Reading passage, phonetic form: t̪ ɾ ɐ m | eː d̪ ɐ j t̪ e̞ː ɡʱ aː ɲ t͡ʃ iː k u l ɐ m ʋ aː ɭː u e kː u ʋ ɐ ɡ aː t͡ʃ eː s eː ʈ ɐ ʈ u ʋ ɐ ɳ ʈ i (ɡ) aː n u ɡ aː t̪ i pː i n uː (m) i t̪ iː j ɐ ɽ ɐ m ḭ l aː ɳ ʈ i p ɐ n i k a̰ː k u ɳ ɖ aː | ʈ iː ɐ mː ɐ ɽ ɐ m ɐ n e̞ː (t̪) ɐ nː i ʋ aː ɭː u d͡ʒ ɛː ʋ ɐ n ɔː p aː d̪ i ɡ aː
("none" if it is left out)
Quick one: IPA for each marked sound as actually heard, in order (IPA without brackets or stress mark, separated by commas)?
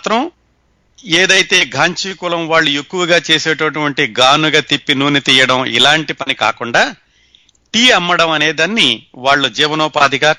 ɡ, n, d̪